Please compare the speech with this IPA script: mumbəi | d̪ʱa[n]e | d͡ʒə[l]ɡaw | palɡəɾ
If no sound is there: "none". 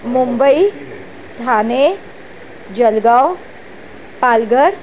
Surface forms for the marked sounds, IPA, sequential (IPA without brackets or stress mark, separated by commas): n, l